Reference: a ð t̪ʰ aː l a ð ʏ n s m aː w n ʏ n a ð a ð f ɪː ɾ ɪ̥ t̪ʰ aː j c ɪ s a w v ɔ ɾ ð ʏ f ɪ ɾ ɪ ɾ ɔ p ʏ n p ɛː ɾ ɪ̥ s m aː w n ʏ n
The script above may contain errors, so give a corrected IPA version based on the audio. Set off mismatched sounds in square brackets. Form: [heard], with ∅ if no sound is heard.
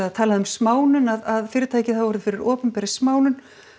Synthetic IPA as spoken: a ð t̪ʰ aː l a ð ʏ [m] s m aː w n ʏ n a ð a ð f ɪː ɾ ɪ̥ t̪ʰ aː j c ɪ [θ] a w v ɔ ɾ ð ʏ f ɪ ɾ ɪ ɾ [ɔː] p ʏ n p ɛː ɾ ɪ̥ s m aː w n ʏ n